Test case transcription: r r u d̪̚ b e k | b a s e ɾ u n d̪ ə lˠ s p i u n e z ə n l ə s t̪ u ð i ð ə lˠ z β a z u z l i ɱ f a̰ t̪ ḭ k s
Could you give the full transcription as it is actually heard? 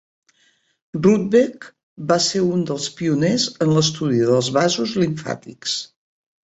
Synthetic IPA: r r u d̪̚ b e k | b a s e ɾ u n d̪ ə lˠ s p i u n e z ə n l ə s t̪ u ð i ð ə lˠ z β a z u z l i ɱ f a̰ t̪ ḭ k s